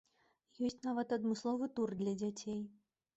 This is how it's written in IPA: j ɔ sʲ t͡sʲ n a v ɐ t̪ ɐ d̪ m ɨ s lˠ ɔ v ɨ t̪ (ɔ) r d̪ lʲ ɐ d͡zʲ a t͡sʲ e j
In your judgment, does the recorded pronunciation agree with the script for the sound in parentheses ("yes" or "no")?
no